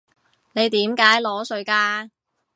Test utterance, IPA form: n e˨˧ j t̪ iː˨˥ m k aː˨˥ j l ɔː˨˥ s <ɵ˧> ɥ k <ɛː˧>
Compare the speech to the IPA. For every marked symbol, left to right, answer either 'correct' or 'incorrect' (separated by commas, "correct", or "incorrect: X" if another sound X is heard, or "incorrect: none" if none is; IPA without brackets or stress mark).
correct, incorrect: aː˧